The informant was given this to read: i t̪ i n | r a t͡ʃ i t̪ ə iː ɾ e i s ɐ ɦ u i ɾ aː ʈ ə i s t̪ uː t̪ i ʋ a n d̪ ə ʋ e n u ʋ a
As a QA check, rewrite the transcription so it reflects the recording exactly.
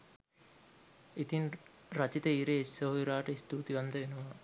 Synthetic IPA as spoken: i t̪ i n | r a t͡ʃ i t̪ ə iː ɾ e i s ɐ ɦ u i ɾ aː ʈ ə i s t̪ uː t̪ i ʋ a n d̪ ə ʋ e n u ʋ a

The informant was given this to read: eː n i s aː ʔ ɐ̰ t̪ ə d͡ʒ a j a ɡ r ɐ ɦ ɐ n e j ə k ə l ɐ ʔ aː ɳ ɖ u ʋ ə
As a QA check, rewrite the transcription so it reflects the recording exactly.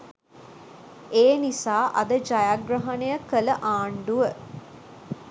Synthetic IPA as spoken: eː n i s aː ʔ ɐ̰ d̪ ə d͡ʒ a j a ɡ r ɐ ɦ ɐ n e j ə k ə l ə ʔ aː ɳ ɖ u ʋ ə

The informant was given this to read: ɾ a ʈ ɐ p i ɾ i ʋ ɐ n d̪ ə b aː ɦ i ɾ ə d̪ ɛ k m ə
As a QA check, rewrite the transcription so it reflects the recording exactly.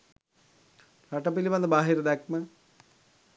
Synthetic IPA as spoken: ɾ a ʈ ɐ p i l i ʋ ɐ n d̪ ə b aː ɦ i ɾ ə d̪ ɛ k m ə

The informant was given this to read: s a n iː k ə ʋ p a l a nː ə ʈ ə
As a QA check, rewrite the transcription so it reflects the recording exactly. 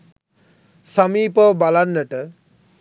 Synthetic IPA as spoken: s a m iː p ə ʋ b a l a nː ə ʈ ə

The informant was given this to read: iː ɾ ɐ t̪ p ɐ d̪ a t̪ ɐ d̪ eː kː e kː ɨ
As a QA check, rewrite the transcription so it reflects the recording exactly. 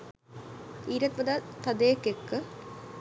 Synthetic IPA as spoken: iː ɾ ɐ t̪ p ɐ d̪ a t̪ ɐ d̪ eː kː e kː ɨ

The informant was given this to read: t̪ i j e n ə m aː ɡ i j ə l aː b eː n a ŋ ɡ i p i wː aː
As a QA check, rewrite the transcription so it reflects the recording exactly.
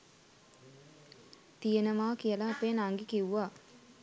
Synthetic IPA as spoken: t̪ i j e n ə m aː k i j ə l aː p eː n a ŋ ɡ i k i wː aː

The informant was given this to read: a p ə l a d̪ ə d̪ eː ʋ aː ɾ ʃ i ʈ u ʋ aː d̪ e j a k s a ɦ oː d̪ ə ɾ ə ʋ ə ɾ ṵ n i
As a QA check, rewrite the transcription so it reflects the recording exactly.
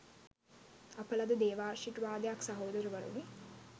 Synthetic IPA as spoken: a p ə l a d̪ ə d̪ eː ʋ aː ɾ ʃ i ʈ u ʋ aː d̪ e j a k s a ɦ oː d̪ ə ɾ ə ʋ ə ɾ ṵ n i

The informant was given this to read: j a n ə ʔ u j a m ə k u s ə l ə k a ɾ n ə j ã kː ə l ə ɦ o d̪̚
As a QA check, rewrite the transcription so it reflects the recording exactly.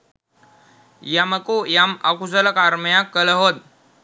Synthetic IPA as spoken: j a m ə k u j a m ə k u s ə l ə k a ɾ m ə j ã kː ə l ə ɦ o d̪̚

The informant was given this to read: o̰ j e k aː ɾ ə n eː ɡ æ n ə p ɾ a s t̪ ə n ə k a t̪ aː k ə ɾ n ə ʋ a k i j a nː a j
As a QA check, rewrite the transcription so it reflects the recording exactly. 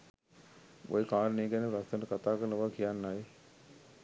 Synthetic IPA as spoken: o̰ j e k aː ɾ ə n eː ɡ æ n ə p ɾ a s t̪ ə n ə k a t̪ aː k ə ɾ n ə ʋ a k i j a nː a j

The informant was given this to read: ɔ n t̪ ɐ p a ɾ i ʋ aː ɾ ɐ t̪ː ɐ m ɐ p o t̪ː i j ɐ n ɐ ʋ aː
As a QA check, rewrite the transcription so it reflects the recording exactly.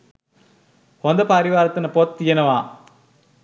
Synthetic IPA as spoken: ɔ n d̪ ɐ p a ɾ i ʋ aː ɾ ɐ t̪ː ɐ n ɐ p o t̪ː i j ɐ n ɐ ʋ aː

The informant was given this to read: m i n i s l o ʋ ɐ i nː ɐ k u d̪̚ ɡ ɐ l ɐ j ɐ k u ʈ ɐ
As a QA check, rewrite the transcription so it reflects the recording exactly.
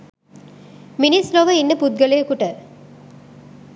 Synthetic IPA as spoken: m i n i s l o ʋ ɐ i nː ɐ p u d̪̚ ɡ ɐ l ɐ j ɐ k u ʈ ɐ

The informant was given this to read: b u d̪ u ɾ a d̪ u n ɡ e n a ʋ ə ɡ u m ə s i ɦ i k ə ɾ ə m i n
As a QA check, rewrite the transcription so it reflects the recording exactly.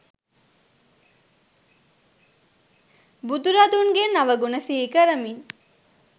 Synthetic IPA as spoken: b u d̪ u ɾ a d̪ u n ɡ e n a ʋ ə ɡ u n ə s i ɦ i k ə ɾ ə m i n

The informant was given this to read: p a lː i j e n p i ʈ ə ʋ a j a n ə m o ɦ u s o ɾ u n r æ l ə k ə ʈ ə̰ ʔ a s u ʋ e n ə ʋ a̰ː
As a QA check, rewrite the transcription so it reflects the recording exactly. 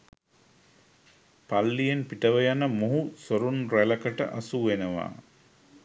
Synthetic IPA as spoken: p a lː i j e n p i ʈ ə ʋ ə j a n ə m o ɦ u s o ɾ u n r æ l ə k ə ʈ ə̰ ʔ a s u ʋ e n ə ʋ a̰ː

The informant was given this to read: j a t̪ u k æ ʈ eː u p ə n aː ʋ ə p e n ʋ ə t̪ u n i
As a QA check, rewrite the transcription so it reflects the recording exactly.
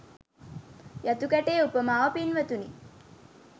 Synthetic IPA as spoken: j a t̪ u k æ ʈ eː u p ə m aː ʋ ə p i n ʋ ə t̪ u n i

